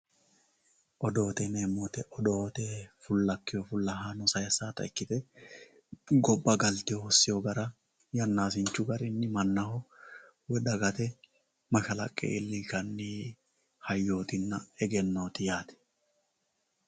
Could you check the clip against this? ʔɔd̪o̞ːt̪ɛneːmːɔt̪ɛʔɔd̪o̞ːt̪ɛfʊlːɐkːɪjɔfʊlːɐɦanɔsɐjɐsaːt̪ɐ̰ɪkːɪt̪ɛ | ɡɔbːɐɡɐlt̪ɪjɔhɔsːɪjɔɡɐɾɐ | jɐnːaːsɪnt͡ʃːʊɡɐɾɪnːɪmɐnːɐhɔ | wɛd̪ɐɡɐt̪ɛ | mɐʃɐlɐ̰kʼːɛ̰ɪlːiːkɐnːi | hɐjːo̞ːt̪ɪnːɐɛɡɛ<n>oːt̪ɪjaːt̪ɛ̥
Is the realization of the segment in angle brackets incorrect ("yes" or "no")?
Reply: yes